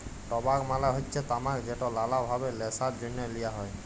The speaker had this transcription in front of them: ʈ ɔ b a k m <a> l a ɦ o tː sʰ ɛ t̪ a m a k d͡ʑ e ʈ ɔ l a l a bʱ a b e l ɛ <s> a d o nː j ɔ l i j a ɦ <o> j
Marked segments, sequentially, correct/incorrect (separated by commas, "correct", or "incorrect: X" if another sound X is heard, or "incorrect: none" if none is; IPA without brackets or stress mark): correct, correct, incorrect: ɔ